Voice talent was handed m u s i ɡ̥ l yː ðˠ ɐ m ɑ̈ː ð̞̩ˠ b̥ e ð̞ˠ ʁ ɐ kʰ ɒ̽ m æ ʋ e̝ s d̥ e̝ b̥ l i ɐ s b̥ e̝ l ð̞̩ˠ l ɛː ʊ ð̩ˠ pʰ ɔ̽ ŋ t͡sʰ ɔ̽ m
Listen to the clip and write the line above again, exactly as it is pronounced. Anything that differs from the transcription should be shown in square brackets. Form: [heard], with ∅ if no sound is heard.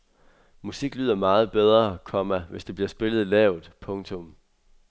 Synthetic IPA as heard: m u s i ɡ̥ l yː ðˠ ɐ m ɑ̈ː ð̞̩ˠ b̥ e ð̞ˠ ʁ ɐ kʰ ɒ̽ m æ ʋ e̝ s d̥ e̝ b̥ l i ɐ s b̥ e̝ l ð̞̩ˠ l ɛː ʊ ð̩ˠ pʰ ɔ̽ ŋ t͡sʰ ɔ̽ m

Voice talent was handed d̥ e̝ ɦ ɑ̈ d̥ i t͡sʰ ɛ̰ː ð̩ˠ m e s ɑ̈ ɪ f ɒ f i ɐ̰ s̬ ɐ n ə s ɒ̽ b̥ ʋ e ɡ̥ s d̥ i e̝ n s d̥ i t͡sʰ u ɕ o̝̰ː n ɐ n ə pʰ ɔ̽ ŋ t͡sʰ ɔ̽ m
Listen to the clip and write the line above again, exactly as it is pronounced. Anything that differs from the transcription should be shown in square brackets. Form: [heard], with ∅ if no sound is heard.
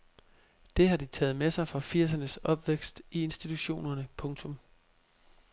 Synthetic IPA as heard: d̥ e̝ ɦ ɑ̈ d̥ i t͡sʰ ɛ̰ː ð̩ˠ m e s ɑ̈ ɪ f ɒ f i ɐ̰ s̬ ɐ n ə s ɒ̽ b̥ ʋ e ɡ̥ s d̥ i e̝ n s d̥ i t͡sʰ u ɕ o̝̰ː n ɐ n ə pʰ ɔ̽ ŋ t͡sʰ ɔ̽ m

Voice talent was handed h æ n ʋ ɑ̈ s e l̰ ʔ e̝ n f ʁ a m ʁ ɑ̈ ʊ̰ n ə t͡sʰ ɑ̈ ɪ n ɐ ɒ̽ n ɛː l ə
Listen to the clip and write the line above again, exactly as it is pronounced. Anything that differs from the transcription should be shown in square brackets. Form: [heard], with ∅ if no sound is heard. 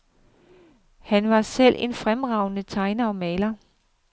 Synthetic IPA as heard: h æ n ʋ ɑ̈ s e l̰ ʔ e̝ n f ʁ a m ʁ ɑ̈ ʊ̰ n ə t͡sʰ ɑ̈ ɪ n ɐ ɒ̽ [m] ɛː l [ɐ]

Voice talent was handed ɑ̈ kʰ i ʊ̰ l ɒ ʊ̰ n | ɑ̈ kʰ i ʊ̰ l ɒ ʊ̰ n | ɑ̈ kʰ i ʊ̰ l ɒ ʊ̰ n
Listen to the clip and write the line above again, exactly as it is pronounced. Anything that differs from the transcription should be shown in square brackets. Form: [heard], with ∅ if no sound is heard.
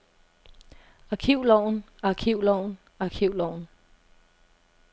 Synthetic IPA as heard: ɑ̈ kʰ i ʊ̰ l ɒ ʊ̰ n | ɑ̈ kʰ i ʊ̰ l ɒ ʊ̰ n | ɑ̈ kʰ i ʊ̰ l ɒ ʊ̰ n

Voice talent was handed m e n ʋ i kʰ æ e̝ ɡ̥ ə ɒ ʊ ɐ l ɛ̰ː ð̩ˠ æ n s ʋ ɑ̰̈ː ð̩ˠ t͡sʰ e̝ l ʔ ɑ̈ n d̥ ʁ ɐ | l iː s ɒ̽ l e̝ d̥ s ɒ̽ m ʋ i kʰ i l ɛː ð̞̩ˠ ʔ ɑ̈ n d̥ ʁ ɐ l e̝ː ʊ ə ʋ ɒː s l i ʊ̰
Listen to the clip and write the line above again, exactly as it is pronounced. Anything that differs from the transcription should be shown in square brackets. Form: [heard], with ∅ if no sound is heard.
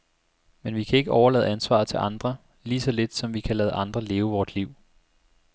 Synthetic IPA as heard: m e n ʋ i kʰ æ e̝ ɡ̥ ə ɒ ʊ ɐ l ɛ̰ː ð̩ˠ æ n s ʋ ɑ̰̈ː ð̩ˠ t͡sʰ e̝ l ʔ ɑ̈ n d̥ ʁ ɐ | l iː s ɒ̽ l e̝ d̥ s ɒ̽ m ʋ i kʰ [æ] l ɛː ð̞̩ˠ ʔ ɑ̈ n d̥ ʁ ɐ l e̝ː ʊ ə ʋ ɒː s l i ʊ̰

